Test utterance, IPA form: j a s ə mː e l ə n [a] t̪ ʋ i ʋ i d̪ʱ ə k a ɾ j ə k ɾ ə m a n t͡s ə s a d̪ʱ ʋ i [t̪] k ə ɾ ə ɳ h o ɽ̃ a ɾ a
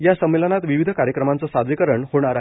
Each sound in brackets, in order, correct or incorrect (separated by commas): correct, incorrect